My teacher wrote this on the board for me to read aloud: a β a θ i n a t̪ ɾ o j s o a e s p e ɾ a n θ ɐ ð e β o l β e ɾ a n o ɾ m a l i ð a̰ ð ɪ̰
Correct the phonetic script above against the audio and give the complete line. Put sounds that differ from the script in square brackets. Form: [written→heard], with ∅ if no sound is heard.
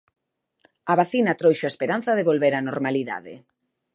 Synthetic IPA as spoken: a β a θ i n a t̪ ɾ o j [s→ʃ] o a e s p e ɾ a n θ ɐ ð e β o l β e ɾ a n o ɾ m a l i ð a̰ ð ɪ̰